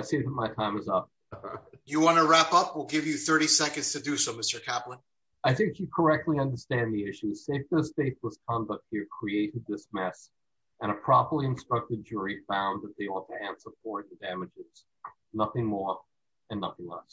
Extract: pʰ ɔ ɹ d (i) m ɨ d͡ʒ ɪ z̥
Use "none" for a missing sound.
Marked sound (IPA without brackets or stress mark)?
æ